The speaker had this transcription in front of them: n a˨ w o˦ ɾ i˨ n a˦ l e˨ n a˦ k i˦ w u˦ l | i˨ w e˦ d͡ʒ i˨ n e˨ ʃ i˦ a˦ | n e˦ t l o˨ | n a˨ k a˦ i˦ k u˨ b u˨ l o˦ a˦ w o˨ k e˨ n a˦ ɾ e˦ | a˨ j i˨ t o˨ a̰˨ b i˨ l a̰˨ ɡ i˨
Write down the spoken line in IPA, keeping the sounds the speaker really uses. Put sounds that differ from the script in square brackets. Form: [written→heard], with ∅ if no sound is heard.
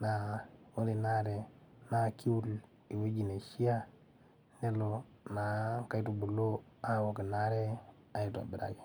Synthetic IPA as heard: n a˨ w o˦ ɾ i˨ n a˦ [l→ɾ] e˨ n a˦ k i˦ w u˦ l | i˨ w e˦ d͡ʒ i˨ n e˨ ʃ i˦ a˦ | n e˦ [t→∅] l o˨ | n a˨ k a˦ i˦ [k→t] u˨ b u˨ l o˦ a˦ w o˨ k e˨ n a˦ ɾ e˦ | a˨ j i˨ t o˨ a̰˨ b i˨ [l→ɾ] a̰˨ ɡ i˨